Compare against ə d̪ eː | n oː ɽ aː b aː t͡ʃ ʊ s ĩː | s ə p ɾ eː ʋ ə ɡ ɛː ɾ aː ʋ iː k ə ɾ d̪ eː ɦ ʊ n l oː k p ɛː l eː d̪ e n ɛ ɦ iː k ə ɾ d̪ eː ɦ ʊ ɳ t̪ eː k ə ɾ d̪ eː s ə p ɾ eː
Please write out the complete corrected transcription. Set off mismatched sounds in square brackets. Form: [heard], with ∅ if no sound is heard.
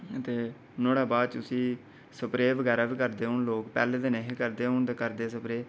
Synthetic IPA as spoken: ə [t̪] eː | n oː ɽ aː b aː t͡ʃ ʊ s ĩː | s ə p ɾ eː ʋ ə ɡ ɛː ɾ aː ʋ iː k ə ɾ d̪ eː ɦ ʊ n l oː k p ɛː l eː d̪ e n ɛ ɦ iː k ə ɾ d̪ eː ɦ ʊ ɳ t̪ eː k ə ɾ d̪ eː s ə p ɾ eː